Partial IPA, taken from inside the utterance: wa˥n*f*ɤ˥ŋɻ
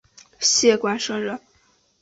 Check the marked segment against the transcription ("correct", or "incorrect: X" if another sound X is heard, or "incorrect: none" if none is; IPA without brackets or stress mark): incorrect: ʂ